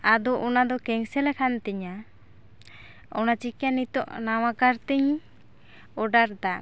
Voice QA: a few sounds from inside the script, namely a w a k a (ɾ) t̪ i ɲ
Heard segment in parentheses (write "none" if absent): ɾ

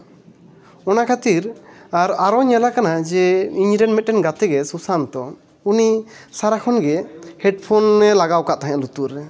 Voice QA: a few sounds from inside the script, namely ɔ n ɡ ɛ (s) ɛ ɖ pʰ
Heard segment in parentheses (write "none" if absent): h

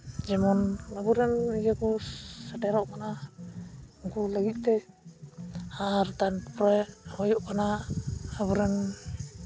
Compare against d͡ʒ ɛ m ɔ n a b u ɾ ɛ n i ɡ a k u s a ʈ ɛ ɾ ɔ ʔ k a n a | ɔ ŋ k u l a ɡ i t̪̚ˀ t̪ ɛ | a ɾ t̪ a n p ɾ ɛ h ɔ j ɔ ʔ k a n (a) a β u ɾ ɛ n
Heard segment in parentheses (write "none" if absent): a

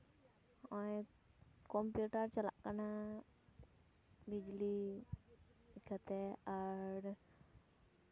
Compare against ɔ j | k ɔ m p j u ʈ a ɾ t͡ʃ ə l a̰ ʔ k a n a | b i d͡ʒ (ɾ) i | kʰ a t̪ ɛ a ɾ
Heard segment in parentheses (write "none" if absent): l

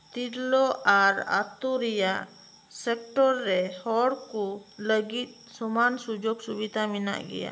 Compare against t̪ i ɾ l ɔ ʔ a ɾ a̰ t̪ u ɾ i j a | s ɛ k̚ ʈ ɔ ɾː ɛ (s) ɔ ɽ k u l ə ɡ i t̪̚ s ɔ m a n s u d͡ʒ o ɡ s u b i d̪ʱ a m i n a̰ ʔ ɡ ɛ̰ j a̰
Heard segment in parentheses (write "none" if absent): h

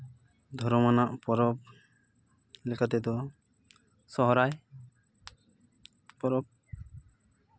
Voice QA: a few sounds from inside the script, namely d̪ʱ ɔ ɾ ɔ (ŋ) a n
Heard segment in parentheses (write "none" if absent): m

